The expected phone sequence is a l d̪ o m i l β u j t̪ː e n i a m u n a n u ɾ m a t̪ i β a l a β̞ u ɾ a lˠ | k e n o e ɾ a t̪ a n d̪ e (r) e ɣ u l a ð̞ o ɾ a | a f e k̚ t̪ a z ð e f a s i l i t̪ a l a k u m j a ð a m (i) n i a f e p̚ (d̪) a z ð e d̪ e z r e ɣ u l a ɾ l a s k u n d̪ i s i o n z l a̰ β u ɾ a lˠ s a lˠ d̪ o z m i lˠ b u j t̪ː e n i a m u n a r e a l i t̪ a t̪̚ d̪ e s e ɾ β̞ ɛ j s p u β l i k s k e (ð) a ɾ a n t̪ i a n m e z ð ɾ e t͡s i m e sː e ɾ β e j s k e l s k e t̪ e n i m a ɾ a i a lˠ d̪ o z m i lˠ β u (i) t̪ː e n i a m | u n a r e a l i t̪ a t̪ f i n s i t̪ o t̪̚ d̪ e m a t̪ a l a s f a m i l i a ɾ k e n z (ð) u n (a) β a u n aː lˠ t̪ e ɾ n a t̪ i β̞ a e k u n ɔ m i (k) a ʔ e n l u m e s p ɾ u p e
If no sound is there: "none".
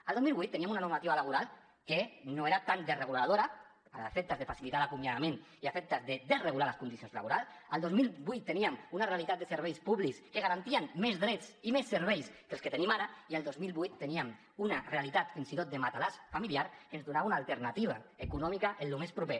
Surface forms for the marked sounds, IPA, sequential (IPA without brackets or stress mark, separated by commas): r, e, t̪, ɣ, j, ð, a, k